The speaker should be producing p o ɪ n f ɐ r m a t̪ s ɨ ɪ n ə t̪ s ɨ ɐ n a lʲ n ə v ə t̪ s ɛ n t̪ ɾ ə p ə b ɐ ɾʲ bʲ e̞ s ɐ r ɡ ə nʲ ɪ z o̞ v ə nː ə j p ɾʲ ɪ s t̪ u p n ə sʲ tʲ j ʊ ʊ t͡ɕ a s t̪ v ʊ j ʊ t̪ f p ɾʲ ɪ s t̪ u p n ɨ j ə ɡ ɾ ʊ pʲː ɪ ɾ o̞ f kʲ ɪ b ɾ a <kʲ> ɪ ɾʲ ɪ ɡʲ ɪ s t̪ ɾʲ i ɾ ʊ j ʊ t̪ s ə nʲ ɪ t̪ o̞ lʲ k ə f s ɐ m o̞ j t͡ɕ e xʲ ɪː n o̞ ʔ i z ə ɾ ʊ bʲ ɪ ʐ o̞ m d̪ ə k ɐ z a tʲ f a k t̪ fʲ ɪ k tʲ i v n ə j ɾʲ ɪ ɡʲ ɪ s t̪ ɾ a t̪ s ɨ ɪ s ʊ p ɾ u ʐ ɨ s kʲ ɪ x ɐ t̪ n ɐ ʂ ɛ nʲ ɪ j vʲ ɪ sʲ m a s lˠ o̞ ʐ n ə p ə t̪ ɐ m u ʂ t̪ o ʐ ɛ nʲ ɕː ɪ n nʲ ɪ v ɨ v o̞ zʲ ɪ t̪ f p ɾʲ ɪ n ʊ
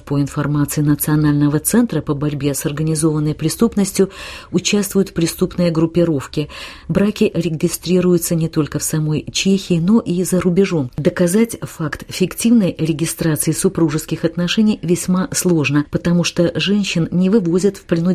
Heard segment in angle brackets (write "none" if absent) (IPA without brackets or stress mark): kʲ